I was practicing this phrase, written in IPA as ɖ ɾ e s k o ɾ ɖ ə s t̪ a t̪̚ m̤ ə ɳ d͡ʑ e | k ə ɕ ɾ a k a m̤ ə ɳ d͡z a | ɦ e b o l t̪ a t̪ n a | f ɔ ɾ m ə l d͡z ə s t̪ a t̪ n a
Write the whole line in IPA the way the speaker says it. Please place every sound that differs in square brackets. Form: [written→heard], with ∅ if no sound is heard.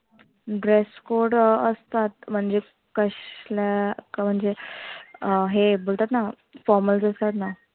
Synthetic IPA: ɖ ɾ e s k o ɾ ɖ ə s t̪ a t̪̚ m̤ ə ɳ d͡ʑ e | k ə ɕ [ɾ→l] a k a m̤ ə ɳ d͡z [a→e] | ɦ e b o l t̪ a t̪ n a | f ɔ ɾ m ə l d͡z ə s t̪ a t̪ n a